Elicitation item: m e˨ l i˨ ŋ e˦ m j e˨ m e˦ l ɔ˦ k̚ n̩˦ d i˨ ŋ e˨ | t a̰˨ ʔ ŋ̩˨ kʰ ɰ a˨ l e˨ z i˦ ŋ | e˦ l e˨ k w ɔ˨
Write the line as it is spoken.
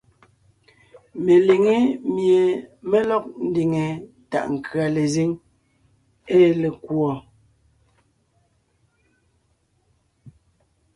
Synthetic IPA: m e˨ l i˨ ŋ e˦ m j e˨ m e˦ l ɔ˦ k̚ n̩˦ d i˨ ŋ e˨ | t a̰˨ ʔ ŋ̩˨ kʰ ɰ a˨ l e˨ z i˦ ŋ | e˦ l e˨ k w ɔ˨